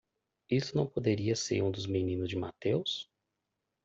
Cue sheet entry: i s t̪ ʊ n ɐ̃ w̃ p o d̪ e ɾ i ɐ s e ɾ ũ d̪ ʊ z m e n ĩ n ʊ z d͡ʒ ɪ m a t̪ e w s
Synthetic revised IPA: i s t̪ ʊ n ɐ̃ w̃ p o d̪ e ɾ i ɐ s e ɾ ũ d̪ ʊ z m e n ĩ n ʊ z d͡ʒ ɪ m a t̪ e w s